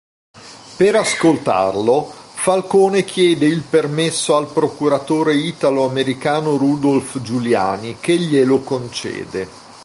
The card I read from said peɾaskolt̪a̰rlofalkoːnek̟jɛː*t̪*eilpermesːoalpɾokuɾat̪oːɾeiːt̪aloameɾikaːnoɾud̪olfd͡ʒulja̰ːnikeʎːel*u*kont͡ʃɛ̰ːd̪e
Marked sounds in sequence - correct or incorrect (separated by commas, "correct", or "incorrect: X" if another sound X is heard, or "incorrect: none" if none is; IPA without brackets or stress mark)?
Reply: incorrect: d̪, incorrect: o